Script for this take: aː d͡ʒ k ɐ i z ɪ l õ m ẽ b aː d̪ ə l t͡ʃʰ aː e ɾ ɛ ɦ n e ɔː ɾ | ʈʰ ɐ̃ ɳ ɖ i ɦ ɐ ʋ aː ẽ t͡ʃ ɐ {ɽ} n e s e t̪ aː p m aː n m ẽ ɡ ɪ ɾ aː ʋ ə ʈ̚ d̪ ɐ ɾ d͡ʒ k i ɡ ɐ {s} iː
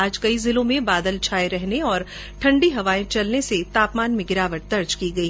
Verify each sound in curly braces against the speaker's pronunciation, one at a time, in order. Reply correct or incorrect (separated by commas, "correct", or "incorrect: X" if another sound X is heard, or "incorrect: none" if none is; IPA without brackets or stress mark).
incorrect: l, incorrect: none